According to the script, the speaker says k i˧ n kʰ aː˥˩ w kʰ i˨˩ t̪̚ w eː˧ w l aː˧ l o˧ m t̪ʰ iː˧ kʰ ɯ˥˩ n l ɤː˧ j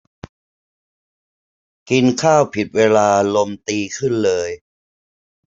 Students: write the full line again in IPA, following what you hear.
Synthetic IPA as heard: k i˧ n kʰ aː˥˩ w pʰ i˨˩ t̪̚ w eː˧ l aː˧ l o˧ m t̪ iː˧ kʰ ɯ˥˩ n l ɤː˧ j